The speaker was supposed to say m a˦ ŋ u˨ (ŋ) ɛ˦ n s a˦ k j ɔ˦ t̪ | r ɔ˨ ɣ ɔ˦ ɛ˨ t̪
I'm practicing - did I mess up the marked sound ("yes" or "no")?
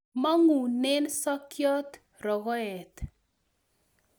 yes